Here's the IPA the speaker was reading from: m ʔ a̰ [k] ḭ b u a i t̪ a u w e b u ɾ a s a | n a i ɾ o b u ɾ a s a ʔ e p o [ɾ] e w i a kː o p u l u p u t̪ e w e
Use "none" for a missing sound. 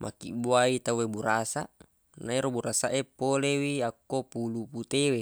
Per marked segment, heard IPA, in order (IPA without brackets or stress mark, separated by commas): k, l